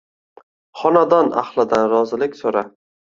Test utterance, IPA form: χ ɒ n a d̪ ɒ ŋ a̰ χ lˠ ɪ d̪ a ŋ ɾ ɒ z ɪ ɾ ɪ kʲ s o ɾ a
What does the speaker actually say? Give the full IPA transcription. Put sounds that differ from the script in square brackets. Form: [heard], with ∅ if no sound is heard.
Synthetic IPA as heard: χ ɒ n a d̪ ɒ [n] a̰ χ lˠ ɪ d̪ a [n] ɾ ɒ z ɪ [l] ɪ kʲ s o ɾ a